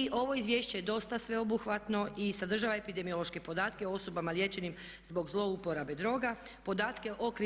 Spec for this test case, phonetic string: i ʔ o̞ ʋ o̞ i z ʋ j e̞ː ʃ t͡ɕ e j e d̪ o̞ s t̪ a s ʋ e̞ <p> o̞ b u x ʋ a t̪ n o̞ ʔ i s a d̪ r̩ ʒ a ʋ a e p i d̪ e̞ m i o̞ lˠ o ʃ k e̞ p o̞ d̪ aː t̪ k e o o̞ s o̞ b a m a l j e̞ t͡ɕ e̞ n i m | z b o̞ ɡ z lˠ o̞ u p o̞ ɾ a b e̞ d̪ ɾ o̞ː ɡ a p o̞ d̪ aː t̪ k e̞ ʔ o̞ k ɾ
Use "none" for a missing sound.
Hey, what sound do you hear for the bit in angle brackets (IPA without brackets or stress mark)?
none